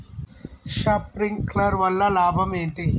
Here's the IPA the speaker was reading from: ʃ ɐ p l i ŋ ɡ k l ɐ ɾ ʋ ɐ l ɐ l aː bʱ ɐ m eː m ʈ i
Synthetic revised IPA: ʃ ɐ p ɾ i ŋ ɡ k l ɐ ɾ ʋ ɐ lː ɐ l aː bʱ ɐ m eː ɳ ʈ i